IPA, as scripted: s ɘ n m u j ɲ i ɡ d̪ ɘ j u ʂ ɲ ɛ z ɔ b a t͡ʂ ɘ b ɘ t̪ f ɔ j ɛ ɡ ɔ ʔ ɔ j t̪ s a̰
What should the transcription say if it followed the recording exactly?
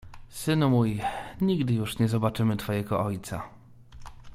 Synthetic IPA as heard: s ɘ n m u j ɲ i ɡ d̪ ɘ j u ʂ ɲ ɛ z ɔ b a t͡ʂ ɘ m ɘ t̪ f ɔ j ɛ ɡ ɔ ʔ ɔ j t̪ s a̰